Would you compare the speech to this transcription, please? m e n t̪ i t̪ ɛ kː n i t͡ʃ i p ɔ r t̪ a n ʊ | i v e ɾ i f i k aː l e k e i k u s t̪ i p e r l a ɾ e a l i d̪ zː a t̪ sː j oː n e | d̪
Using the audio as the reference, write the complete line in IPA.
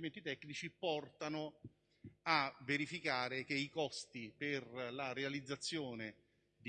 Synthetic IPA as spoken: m e n t̪ i t̪ ɛ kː n i t͡ʃ i p ɔ r t̪ a n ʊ | a v e ɾ i f i k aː ɾ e k e i k ɔ s t̪ i p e r l a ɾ e a l i d̪ zː a t̪ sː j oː n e | d̪